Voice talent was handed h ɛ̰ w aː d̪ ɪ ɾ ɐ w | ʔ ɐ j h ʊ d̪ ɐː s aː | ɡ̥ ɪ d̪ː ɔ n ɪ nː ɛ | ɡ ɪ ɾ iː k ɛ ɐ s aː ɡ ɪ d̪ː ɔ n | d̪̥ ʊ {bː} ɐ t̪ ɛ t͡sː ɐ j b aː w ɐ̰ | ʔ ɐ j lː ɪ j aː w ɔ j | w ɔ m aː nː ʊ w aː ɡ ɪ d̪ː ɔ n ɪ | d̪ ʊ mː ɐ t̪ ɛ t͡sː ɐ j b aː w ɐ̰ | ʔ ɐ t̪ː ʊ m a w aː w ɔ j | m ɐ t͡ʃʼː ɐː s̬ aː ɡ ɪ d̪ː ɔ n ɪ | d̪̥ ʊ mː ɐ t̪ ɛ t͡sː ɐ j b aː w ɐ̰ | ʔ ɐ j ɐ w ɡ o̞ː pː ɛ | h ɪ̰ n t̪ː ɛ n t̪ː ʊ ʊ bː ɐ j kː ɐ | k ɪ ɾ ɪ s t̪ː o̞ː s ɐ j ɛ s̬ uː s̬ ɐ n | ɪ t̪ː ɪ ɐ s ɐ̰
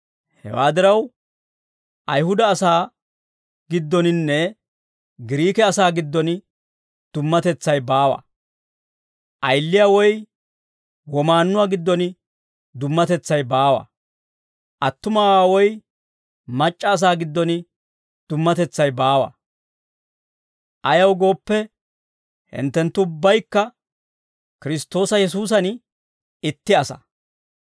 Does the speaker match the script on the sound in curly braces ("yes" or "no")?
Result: no